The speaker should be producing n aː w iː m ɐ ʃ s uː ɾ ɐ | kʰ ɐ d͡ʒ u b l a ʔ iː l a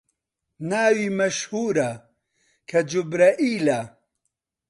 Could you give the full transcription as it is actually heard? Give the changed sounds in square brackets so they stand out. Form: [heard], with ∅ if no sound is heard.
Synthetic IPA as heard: n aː w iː m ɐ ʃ [h] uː ɾ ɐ | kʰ ɐ d͡ʒ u b [ɾ] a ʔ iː l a